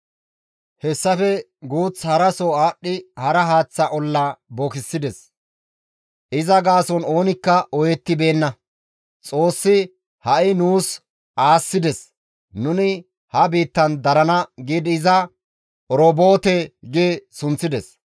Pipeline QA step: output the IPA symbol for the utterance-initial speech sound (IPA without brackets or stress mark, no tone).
h